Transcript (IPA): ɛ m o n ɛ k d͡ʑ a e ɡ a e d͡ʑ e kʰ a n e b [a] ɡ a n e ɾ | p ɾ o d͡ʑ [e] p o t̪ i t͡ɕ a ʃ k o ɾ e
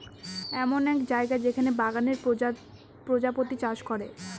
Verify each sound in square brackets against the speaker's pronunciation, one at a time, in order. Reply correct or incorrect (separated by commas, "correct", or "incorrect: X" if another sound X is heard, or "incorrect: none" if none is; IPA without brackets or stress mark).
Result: correct, incorrect: a